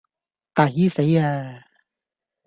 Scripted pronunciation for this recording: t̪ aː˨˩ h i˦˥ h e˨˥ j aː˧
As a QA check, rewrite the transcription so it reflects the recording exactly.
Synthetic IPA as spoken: t̪ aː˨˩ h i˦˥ s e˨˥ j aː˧